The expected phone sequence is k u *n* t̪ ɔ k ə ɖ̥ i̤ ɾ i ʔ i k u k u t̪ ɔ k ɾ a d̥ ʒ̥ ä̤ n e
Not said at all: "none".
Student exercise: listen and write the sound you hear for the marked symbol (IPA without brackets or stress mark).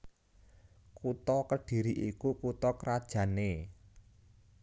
none